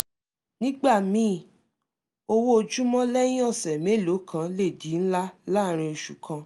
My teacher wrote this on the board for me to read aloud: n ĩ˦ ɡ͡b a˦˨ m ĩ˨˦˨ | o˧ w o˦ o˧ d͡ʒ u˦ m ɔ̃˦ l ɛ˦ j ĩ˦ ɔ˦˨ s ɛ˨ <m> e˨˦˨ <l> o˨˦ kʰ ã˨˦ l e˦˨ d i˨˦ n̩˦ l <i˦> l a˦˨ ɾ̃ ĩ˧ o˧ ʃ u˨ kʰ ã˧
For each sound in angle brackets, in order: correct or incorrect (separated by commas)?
correct, correct, incorrect